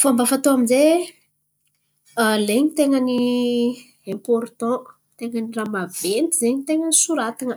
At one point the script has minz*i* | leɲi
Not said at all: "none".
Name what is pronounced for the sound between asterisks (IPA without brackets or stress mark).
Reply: e